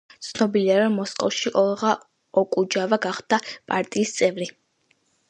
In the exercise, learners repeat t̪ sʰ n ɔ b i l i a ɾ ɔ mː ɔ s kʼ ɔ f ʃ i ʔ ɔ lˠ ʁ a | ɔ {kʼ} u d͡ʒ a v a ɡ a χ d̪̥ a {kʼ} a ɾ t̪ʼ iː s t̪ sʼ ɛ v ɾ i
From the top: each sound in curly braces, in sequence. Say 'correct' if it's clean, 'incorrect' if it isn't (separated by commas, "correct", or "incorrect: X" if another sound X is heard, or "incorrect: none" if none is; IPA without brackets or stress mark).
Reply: correct, incorrect: pʼ